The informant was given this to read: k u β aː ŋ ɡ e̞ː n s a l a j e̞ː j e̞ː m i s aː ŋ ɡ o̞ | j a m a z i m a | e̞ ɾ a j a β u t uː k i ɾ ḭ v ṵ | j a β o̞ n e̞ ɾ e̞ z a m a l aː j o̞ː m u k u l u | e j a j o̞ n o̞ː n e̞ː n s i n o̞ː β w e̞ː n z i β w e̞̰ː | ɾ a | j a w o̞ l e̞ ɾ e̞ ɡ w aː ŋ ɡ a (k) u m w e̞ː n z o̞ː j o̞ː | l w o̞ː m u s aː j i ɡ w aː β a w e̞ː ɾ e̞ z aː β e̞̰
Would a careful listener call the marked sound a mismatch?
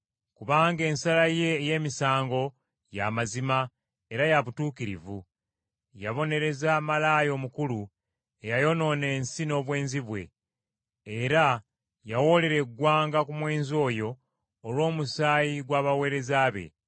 no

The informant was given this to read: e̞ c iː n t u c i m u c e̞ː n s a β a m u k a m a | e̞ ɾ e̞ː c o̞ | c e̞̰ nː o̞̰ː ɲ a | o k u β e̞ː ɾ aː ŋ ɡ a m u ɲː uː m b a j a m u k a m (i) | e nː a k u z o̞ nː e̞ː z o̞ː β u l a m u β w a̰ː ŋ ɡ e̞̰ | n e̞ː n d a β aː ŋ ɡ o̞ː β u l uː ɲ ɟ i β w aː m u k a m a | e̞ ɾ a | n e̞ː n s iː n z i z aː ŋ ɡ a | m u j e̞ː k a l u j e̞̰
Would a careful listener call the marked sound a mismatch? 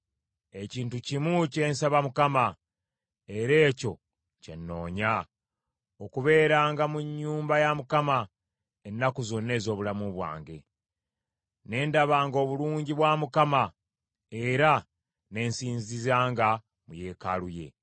yes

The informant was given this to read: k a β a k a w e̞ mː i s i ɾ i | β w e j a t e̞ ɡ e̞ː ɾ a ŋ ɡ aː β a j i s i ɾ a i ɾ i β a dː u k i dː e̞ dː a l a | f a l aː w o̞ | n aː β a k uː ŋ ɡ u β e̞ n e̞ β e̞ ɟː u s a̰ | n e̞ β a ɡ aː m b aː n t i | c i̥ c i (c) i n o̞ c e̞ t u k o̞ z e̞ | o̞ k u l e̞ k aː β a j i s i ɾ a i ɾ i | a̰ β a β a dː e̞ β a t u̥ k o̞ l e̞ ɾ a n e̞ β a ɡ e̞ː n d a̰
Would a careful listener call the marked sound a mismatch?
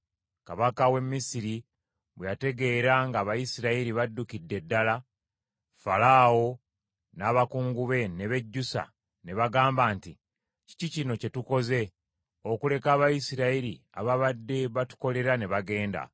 no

